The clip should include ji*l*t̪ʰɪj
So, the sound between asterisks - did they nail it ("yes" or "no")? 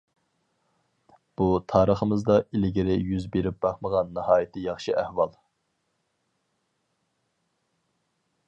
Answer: no